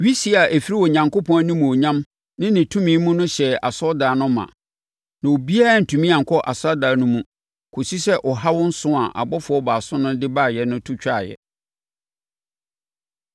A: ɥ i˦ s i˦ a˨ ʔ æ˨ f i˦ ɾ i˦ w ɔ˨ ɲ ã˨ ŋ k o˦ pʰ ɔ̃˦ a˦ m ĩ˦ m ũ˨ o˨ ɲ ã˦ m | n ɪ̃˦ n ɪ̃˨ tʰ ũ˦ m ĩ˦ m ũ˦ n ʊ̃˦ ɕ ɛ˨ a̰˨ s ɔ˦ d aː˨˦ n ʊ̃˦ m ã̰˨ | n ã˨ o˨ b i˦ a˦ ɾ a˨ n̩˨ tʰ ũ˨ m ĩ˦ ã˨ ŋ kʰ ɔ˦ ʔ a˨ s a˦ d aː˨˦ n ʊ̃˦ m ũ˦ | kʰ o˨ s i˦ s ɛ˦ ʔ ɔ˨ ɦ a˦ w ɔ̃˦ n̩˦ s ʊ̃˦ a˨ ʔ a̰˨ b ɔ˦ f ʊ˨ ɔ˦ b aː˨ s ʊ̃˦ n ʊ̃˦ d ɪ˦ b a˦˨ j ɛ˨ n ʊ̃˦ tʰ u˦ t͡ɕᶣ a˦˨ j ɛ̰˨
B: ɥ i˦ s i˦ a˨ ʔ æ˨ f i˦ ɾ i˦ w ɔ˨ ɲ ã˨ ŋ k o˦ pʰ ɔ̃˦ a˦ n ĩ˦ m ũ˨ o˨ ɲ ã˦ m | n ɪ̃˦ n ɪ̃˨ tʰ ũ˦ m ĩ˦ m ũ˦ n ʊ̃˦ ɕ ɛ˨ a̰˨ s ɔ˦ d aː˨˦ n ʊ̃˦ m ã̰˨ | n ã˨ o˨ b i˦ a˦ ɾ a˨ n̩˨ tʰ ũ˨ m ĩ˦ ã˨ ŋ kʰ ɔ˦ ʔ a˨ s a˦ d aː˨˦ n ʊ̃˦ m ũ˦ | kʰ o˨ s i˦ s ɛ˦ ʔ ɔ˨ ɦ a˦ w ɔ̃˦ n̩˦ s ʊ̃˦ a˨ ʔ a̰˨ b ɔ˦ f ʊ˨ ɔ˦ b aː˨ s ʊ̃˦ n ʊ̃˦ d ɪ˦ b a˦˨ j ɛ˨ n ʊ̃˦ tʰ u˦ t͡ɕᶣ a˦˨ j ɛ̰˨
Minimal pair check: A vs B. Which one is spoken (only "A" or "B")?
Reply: B